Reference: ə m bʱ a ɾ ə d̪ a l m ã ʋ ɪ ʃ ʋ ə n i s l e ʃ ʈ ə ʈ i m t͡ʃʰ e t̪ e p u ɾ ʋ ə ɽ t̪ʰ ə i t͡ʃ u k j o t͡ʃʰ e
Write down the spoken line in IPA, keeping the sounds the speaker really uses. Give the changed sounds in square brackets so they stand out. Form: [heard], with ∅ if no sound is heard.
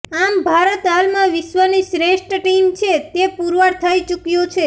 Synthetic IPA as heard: [a] m bʱ a ɾ ə [t̪] a l m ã ʋ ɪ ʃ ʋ ə n i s [ɾ] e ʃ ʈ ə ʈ i m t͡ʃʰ e t̪ e p u ɾ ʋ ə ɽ t̪ʰ ə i t͡ʃ u k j o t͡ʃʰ e